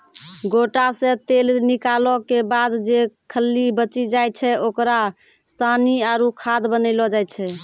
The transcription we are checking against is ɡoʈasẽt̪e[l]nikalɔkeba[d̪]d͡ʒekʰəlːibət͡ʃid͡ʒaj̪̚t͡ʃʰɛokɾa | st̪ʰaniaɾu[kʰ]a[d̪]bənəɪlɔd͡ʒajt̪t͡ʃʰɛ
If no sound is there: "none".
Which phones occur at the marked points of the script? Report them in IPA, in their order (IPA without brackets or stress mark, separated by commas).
l, d̪, kʰ, d̪